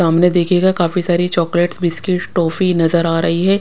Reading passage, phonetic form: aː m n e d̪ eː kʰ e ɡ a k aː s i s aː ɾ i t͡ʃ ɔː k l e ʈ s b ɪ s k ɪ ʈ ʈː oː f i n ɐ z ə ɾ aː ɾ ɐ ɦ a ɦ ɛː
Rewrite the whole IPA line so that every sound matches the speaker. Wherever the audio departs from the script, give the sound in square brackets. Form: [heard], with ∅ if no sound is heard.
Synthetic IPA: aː m n e d̪ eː kʰ e ɡ a k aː [f] i s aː ɾ i t͡ʃ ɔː k l e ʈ s b ɪ s k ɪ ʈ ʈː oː f i n ɐ z ə ɾ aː ɾ ɐ ɦ [i] ɦ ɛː